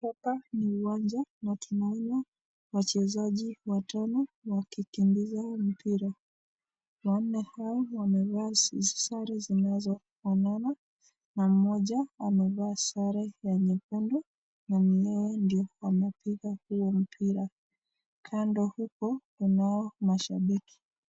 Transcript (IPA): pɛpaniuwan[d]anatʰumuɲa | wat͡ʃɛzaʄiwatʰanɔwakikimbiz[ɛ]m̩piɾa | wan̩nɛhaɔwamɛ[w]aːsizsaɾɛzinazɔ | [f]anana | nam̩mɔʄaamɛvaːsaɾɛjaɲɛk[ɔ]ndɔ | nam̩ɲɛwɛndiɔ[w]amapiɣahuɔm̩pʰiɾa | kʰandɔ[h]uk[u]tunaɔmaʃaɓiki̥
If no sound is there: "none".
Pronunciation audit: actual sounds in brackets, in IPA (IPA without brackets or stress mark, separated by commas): d͡ʒ, a, v, f, u, w, h, ɔ